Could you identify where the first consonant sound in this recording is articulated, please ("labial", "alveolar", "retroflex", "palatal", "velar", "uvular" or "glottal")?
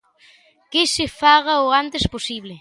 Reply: velar